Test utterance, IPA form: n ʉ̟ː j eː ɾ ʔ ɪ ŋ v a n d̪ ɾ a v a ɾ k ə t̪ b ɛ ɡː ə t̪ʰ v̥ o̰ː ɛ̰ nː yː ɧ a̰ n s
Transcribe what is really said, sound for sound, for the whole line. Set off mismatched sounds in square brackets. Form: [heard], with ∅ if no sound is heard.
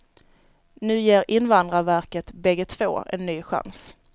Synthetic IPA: n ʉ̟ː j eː ɾ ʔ ɪ [n] v a n d̪ ɾ a v [æ] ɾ k ə t̪ b ɛ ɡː ə t̪ʰ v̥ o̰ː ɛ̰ nː yː ɧ a̰ n s